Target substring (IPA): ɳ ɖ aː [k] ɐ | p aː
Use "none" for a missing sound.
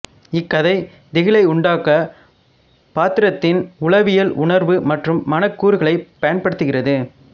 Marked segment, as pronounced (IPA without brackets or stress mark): k